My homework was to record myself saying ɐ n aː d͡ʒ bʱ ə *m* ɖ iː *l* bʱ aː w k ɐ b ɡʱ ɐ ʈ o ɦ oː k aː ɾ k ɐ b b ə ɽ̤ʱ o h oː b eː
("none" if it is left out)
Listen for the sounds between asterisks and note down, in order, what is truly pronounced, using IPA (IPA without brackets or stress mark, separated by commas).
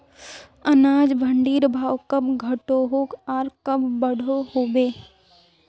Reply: ɳ, ɾ